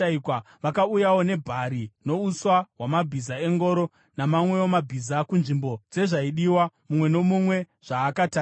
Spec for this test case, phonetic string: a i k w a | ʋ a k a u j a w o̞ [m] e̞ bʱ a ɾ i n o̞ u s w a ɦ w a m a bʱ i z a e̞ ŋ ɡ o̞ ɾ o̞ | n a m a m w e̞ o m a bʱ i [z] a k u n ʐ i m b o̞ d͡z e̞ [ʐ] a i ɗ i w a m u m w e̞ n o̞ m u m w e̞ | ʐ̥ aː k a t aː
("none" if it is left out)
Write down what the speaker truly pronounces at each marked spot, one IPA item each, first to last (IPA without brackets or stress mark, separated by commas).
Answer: n, z, ʐ